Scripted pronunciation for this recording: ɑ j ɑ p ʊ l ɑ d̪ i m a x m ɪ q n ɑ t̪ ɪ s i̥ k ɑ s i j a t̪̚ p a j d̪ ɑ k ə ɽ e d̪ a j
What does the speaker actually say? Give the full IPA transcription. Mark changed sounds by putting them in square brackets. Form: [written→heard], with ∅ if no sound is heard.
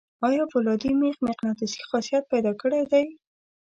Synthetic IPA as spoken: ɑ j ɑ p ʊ l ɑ d̪ i m [a→e] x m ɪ q n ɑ t̪ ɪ s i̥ [k→x] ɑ s i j a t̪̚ p a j d̪ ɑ k ə ɽ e d̪ a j